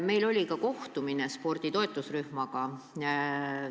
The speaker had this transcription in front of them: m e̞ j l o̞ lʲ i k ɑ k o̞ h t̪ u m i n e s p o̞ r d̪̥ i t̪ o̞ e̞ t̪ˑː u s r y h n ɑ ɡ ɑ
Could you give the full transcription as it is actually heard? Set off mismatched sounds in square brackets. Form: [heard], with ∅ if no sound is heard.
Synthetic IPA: m e̞ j l o̞ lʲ i k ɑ k o̞ h t̪ u m i n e s p o̞ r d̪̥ i t̪ o̞ e̞ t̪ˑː u s r y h [m] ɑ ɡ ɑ